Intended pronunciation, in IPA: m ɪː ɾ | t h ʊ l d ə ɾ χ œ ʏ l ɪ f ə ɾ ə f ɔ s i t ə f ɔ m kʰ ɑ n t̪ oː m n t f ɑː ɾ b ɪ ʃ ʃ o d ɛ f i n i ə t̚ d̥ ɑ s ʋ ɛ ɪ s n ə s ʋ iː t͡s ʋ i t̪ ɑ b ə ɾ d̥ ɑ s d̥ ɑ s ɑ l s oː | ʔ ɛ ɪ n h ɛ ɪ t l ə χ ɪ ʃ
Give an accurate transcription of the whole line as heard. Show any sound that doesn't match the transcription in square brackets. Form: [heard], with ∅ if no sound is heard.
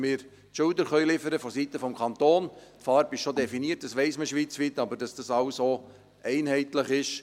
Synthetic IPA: m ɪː ɾ | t [ʃ] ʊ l d ə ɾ χ œ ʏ l ɪ f ə ɾ ə f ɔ s i t ə f ɔ m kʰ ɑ n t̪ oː [∅] n t f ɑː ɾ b ɪ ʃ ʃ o d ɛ f i n i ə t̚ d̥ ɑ s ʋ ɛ ɪ s [m] ə [ʃ] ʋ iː t͡s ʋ i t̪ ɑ b ə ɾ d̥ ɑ s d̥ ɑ s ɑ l s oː | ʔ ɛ ɪ n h ɛ ɪ t l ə χ ɪ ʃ